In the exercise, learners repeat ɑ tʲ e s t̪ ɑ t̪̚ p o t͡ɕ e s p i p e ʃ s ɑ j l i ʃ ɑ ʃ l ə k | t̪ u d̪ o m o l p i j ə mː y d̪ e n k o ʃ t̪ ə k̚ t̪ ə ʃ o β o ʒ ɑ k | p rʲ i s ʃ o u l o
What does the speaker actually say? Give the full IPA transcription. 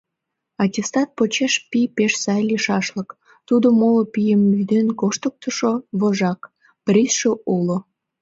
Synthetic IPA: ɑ tʲ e s t̪ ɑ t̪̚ p o t͡ɕ e ʃ p i p e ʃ s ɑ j l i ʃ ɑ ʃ l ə k | t̪ u d̪ o m o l p i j ə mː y d̪ e n k o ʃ t̪ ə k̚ t̪ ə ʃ o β o ʒ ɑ k | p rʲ i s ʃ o u l o